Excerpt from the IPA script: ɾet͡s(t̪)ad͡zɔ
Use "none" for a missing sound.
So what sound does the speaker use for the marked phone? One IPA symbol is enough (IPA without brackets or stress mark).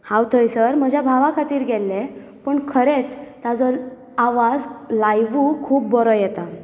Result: t̪